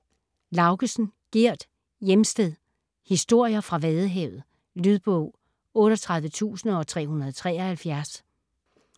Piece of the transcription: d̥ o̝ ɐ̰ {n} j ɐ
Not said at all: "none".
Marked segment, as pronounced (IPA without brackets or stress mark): none